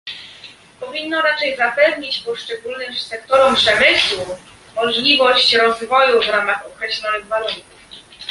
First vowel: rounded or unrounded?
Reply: rounded